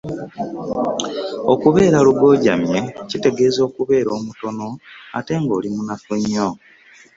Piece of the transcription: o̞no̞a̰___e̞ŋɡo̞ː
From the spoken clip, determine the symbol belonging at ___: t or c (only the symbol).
t